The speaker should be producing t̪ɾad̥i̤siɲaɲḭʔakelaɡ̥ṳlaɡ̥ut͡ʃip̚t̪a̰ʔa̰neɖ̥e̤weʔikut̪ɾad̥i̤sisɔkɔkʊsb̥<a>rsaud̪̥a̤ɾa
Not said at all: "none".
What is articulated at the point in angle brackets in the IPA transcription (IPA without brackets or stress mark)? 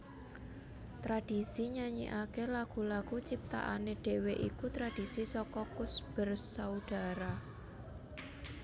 ə